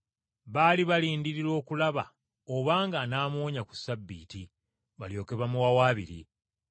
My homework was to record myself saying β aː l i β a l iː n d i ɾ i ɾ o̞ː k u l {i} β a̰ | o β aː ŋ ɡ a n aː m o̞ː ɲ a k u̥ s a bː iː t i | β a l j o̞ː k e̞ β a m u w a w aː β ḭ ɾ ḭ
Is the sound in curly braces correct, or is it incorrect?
incorrect